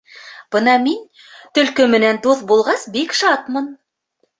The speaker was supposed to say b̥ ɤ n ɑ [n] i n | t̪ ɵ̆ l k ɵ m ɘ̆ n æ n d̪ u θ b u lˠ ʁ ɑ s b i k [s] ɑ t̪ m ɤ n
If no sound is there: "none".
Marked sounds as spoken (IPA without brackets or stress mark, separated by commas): m, ʃ